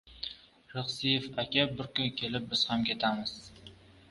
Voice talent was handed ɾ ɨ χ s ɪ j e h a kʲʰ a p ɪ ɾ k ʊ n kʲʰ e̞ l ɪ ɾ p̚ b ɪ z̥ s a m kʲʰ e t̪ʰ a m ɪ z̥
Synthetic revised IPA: ɾ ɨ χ s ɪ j e f a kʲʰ a b ɪ ɾ k ʊ n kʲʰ e̞ l ɪ p̚ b ɪ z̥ h a m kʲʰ e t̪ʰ a m ɪ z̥